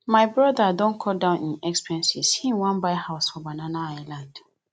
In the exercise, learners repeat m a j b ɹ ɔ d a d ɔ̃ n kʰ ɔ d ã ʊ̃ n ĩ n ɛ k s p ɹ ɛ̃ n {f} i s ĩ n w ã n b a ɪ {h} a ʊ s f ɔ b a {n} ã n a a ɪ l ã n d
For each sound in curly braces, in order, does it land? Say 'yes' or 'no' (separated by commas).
no, yes, yes